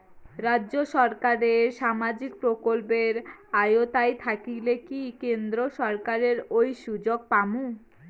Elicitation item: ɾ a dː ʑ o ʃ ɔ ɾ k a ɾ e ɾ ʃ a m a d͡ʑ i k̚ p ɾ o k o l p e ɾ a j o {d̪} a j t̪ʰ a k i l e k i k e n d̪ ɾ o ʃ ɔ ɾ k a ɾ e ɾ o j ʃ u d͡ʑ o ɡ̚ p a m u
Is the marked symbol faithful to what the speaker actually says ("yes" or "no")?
no